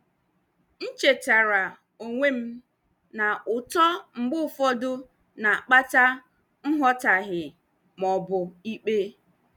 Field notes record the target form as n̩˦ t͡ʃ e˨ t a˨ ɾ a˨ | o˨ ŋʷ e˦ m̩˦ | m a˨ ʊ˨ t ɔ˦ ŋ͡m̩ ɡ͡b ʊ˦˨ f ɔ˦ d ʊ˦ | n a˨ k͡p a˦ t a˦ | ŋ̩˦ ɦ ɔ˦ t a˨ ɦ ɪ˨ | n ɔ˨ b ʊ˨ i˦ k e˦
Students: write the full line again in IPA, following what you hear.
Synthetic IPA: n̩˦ t͡ʃ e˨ t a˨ ɾ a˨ | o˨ ŋʷ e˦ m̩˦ | n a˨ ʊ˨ t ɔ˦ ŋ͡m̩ ɡ͡b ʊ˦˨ f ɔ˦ d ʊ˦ | n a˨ k͡p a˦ t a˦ | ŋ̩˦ ɦ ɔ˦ t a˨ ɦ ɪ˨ | m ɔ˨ b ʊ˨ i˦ k͡p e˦